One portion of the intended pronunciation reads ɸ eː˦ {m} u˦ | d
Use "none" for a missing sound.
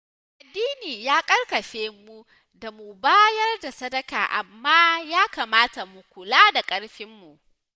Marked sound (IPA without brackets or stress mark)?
m